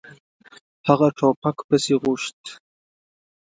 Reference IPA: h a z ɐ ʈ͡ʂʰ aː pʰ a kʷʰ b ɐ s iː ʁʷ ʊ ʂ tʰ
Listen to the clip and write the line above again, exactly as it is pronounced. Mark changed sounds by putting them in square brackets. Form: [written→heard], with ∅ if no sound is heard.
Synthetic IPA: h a [z→ʁ] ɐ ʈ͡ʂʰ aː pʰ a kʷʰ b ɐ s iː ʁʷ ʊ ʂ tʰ